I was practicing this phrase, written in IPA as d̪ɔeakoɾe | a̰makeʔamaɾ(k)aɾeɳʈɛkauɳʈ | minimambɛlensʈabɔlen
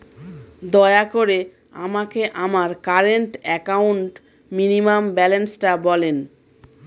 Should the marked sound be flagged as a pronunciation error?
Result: no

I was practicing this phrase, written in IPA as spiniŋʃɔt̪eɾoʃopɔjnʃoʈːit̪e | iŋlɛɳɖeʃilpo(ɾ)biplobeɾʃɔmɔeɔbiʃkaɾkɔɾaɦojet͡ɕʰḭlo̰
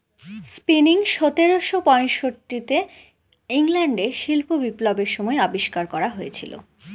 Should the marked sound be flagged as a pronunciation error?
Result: yes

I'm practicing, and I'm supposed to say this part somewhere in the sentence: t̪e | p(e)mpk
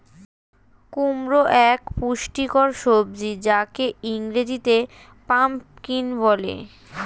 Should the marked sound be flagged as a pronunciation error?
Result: yes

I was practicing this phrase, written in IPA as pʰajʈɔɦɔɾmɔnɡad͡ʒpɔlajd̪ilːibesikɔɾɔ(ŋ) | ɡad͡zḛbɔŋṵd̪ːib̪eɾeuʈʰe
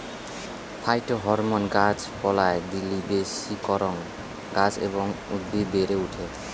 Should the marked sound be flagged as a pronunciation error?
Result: no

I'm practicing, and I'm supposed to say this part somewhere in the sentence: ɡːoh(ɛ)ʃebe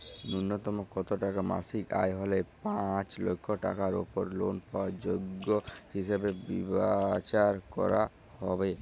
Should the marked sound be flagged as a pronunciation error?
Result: yes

